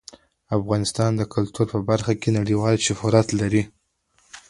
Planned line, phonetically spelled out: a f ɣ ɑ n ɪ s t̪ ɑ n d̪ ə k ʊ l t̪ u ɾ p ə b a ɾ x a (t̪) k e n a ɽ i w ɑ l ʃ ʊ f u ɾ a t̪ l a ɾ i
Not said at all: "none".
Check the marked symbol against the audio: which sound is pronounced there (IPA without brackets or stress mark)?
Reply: none